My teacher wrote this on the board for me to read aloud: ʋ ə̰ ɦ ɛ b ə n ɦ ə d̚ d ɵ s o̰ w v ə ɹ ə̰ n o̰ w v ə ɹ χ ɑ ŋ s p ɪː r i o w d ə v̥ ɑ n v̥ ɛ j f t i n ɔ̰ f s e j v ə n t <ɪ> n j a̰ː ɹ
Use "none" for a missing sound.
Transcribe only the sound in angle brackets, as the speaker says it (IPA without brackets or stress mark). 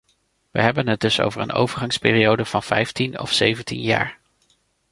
i